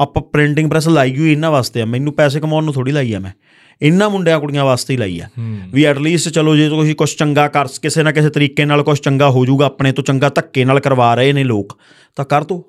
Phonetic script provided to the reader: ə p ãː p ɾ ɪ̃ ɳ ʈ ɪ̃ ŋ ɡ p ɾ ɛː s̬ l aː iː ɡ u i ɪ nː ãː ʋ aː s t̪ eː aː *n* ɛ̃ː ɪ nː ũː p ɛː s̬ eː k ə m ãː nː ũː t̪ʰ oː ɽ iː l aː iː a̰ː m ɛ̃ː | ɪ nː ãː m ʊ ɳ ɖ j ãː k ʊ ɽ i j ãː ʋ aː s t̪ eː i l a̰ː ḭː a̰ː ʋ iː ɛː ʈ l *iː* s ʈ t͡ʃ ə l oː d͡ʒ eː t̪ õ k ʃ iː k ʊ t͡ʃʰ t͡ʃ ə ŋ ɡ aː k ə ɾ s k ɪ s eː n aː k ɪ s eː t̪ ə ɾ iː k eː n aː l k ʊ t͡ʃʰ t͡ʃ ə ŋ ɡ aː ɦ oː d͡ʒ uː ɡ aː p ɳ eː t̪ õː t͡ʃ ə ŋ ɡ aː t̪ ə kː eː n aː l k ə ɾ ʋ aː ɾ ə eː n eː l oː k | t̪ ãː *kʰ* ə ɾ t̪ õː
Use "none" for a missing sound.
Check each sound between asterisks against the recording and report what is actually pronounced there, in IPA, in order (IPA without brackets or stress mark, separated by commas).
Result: m, iː, k